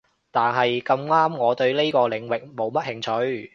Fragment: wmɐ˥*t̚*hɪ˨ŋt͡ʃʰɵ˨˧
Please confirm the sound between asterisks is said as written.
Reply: yes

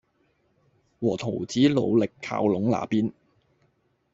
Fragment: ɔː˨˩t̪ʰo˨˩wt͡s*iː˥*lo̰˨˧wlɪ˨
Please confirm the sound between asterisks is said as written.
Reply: no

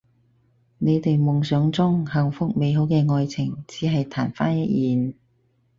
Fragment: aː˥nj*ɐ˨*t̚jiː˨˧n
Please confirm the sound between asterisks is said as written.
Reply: no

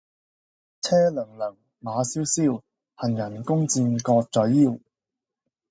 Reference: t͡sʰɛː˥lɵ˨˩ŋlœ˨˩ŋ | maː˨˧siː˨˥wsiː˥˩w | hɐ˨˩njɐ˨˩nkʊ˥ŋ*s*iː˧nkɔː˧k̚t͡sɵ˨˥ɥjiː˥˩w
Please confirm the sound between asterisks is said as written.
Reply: no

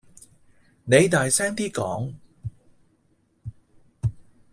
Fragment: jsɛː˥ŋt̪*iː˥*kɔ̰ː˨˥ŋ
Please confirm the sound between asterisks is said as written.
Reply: yes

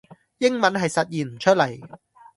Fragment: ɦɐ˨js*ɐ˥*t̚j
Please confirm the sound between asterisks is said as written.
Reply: no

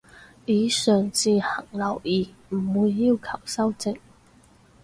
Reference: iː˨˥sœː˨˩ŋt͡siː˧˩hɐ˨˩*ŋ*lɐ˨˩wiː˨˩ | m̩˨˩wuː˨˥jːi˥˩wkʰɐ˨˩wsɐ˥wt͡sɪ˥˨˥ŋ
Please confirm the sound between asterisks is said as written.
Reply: yes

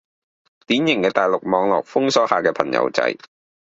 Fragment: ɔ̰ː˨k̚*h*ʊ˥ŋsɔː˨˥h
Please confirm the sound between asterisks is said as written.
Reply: no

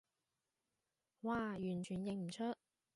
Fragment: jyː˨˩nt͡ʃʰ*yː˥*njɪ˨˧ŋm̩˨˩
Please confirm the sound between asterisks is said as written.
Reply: no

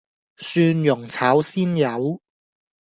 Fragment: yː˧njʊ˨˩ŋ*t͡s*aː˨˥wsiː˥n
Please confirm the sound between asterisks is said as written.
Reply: no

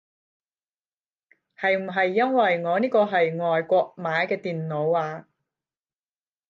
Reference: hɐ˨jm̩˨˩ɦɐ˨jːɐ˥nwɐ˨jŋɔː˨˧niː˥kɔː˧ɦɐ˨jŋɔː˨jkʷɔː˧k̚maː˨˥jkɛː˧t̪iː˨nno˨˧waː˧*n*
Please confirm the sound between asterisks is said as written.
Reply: no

